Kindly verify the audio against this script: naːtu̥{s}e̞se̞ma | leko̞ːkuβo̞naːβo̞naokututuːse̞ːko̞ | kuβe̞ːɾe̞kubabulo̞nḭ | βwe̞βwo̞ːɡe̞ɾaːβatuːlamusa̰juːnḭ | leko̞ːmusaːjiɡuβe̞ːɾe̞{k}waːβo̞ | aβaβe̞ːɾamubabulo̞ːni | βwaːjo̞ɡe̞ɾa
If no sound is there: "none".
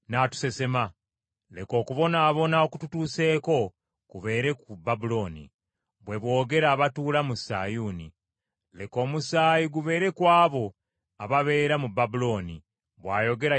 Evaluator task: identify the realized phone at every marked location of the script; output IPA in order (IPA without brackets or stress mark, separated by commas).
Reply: s, k